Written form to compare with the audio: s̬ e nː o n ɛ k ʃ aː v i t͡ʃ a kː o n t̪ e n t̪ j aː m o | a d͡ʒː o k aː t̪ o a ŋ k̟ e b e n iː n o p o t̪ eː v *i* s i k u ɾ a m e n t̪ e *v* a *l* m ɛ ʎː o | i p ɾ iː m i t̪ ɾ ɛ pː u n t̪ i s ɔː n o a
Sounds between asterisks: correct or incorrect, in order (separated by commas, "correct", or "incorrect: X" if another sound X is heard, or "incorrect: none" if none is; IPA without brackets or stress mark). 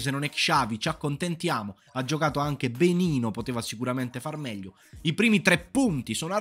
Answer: incorrect: a, incorrect: f, incorrect: r